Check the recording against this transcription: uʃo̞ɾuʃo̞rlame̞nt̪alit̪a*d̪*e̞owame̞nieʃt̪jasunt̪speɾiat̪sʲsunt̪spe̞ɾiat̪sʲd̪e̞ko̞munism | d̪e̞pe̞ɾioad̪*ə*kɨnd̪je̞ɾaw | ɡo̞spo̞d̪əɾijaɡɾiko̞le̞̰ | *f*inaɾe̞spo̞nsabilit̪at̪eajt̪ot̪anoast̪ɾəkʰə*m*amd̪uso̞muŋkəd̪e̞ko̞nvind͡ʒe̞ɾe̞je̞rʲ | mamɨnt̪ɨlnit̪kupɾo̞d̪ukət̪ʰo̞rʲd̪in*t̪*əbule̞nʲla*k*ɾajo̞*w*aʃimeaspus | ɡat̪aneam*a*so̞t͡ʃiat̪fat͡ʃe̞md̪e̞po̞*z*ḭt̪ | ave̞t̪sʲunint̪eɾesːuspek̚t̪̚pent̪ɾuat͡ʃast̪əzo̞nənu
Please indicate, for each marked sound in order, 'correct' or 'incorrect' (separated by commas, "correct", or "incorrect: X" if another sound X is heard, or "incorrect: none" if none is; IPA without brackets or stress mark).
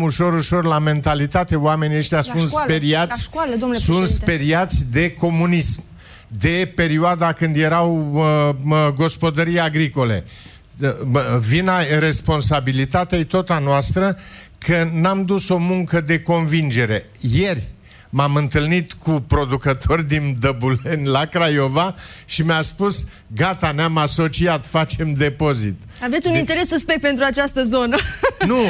incorrect: t̪, incorrect: a, incorrect: v, incorrect: n, incorrect: d̪, correct, incorrect: v, correct, correct